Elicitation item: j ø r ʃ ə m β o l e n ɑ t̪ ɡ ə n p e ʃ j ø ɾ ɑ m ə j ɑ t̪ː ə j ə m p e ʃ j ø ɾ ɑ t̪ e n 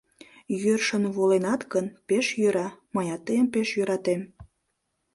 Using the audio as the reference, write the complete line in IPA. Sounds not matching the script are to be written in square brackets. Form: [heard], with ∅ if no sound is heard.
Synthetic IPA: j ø r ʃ ə [n] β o l e n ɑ t̪ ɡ ə n p e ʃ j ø ɾ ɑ m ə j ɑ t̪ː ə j ə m p e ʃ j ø ɾ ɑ t̪ e [m]